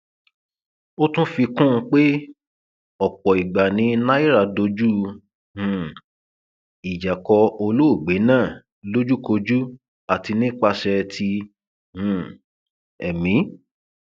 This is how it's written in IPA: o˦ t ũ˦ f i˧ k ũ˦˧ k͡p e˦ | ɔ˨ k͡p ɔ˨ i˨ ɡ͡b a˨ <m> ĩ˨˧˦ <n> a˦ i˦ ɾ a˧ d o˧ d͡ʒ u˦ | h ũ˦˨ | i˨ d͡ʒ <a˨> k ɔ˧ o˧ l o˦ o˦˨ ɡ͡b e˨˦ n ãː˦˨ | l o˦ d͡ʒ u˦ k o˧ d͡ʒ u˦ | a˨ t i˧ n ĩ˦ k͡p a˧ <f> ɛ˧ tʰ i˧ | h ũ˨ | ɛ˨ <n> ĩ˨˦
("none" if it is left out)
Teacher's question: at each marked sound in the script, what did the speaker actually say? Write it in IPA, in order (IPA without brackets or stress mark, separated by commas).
n, n, a˨, ʃ, m